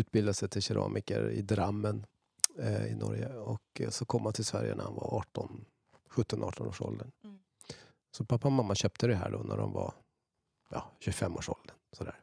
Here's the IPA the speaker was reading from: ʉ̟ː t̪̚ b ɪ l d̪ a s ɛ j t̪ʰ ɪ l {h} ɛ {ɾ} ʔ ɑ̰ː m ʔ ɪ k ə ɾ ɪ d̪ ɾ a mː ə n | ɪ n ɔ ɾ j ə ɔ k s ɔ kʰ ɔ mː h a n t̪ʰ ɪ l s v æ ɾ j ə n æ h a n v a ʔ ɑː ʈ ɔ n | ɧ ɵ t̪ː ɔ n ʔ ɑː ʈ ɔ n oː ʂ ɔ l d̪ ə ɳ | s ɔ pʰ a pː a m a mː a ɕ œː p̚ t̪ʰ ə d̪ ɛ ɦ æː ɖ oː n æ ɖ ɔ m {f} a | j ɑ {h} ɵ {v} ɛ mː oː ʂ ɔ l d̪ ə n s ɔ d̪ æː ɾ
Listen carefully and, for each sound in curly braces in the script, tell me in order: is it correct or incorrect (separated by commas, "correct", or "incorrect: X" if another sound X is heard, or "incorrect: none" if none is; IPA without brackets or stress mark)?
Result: incorrect: ɕ, correct, incorrect: v, incorrect: ɕ, incorrect: f